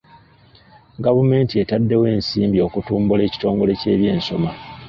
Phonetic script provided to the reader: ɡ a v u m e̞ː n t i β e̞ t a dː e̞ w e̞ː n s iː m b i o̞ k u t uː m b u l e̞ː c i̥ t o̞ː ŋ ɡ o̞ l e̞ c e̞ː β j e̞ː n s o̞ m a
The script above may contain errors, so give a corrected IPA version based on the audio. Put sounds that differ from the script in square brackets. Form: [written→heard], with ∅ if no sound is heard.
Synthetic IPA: ɡ a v u m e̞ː n t i [β→∅] e̞ t a dː e̞ w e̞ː n s iː m b i o̞ k u t uː m b u l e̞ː c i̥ t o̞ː ŋ ɡ o̞ l e̞ c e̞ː β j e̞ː n s o̞ m a